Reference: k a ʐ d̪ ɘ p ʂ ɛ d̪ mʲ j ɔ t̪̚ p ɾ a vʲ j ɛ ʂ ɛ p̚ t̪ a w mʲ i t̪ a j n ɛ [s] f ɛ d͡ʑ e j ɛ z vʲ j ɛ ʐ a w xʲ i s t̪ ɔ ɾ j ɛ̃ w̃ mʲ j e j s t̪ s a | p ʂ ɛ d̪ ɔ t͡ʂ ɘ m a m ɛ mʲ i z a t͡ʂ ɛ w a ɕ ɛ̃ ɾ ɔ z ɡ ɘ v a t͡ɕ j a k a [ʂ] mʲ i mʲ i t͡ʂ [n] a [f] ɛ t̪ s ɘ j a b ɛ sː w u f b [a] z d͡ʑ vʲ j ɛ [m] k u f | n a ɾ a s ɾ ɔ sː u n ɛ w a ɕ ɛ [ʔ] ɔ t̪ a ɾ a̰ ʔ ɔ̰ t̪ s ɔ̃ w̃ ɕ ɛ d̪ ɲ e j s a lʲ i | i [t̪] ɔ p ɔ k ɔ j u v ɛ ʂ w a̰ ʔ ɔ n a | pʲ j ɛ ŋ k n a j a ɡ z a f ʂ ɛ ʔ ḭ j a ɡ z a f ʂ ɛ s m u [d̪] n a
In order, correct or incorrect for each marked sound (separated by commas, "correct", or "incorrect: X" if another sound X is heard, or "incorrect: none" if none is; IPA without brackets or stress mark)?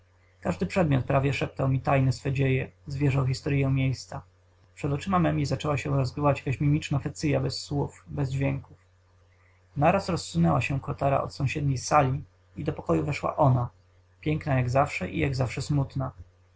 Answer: correct, incorrect: ɕ, correct, correct, incorrect: ɛ, incorrect: ŋ, incorrect: k, incorrect: d̪, incorrect: t̪